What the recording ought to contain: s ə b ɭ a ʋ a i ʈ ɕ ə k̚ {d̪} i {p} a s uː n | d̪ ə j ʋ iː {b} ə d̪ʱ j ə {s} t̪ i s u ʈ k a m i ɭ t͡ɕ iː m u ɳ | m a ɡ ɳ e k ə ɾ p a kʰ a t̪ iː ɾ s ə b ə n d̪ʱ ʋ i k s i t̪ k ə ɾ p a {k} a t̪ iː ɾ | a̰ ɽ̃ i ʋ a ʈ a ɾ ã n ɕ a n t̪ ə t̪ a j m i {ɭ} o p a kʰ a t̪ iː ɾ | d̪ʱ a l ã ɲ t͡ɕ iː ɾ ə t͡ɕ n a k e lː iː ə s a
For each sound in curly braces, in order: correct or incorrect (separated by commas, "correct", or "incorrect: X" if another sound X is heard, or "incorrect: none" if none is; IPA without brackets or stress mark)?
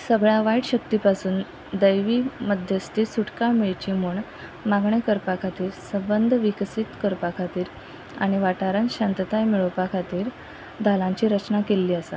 incorrect: t̪, correct, incorrect: m, correct, incorrect: kʰ, correct